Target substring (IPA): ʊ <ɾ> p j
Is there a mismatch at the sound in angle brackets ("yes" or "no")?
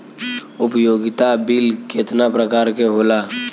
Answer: yes